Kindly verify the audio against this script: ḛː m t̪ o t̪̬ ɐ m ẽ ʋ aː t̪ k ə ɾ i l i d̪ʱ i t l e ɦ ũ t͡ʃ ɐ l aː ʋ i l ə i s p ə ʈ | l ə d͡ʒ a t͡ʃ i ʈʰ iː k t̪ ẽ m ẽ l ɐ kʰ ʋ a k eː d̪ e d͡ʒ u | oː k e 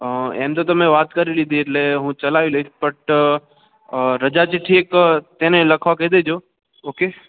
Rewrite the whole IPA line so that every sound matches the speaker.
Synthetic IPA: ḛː m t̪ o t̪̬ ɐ m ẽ ʋ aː t̪ k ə ɾ i l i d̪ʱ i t l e ɦ ũ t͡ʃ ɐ l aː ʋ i l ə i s p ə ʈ | ɾ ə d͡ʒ a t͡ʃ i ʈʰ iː k t̪ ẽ n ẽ l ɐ kʰ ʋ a k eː d̪ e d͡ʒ o | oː k e

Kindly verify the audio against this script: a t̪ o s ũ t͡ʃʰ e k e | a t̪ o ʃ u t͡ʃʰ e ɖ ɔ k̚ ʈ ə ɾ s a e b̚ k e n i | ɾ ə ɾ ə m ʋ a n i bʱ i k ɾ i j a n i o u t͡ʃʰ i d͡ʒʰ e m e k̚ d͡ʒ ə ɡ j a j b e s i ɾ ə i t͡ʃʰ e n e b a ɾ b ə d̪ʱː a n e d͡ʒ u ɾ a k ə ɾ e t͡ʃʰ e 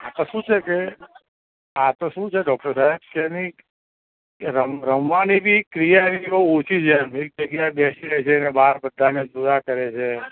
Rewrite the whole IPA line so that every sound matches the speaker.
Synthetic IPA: a t̪ o ʃ ũ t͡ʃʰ e k e | a t̪ o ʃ ũ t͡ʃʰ e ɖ ɔ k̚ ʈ ə ɾ s a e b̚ k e n i | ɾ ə ɾ ə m ʋ a n i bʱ i k ɾ i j a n i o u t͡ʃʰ i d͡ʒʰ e m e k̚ d͡ʒ ə ɡ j a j b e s i ɾ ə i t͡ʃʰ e n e b a ɾ b ə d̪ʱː a n e d͡ʒ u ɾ a k ə ɾ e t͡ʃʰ e

